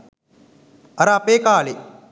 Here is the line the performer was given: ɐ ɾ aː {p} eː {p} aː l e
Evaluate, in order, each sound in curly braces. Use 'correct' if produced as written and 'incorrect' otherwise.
correct, incorrect

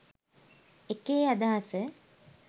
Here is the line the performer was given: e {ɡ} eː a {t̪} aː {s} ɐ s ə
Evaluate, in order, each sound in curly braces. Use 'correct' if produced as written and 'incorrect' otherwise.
incorrect, incorrect, incorrect

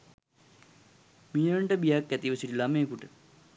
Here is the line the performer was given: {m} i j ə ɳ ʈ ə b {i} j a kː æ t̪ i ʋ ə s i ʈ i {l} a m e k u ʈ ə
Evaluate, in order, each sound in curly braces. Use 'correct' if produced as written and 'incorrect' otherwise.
correct, correct, correct

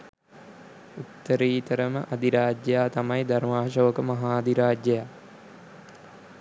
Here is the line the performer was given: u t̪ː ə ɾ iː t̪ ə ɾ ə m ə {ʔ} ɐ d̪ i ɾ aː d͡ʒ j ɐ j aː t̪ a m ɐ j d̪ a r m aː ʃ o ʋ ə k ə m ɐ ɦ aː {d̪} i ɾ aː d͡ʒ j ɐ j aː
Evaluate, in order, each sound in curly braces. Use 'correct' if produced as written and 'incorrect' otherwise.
correct, correct

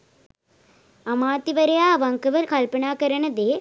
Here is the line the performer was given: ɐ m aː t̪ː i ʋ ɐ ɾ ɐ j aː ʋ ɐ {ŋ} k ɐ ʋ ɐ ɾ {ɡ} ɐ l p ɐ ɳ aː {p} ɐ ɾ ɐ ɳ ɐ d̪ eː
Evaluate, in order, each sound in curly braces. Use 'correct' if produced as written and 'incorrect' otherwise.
correct, incorrect, incorrect

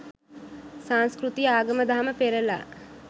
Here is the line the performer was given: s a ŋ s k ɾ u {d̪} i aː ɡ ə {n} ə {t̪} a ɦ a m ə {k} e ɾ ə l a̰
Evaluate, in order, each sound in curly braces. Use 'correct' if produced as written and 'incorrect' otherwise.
incorrect, incorrect, incorrect, incorrect

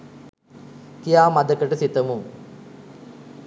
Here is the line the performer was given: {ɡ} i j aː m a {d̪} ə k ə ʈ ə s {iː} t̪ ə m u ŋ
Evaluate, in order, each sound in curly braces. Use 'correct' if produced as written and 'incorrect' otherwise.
incorrect, correct, incorrect

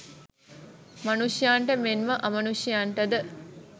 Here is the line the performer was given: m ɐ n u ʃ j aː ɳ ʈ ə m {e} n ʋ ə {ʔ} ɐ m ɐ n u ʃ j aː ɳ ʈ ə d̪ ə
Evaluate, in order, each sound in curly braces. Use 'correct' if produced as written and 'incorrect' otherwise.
correct, correct

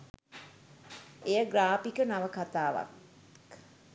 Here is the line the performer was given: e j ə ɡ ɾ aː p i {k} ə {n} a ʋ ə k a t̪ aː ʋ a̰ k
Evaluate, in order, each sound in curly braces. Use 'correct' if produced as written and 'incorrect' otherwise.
correct, correct

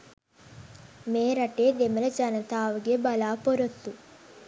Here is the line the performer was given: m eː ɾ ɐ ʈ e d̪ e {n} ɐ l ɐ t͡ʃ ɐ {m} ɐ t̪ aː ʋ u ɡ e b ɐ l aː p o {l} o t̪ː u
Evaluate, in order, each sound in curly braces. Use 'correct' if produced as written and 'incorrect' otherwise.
incorrect, incorrect, incorrect

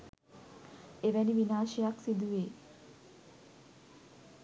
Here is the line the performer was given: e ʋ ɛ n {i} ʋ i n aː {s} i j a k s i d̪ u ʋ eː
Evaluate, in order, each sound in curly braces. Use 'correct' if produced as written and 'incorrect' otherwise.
correct, incorrect

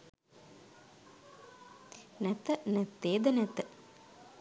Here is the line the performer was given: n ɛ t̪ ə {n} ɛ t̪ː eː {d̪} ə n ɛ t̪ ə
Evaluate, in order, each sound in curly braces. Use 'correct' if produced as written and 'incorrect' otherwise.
correct, correct

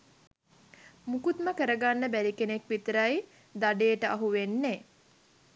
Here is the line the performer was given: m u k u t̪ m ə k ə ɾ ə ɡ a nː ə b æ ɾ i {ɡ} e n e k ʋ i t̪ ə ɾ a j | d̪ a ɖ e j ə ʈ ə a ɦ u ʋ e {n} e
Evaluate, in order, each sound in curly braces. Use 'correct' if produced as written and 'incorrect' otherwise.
incorrect, incorrect

